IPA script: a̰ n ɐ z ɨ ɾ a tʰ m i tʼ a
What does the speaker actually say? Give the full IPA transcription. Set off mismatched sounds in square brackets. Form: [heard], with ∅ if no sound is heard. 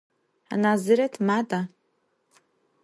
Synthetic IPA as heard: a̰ n [a] z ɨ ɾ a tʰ m [a] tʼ a

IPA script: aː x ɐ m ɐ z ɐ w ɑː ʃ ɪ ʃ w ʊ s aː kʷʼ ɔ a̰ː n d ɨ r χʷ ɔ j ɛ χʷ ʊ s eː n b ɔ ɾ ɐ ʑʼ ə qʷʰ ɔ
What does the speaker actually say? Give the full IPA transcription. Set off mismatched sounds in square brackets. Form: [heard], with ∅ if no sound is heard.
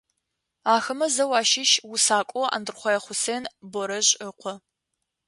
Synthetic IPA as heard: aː x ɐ m ɐ z ɐ w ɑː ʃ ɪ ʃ w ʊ s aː kʷʼ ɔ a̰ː n d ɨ r χʷ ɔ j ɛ χʷ ʊ s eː n b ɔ ɾ ɐ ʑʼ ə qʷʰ ɔ

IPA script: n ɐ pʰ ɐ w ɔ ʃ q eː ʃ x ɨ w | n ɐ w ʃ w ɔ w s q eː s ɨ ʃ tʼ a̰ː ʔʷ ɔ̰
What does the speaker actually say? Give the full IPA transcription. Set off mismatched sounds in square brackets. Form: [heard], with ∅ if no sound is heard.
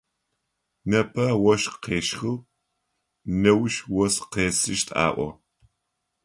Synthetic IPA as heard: n ɐ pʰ ɐ w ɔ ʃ q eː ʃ x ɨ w | n ɐ w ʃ w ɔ [∅] s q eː s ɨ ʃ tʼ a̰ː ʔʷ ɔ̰

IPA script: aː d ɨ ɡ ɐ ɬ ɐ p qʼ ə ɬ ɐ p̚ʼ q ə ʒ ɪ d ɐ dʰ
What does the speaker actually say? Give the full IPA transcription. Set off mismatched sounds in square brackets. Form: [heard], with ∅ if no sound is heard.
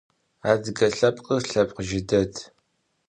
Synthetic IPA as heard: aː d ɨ ɡ ɐ ɬ ɐ p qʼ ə ɬ ɐ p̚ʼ q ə ʒ ɪ d ɐ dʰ

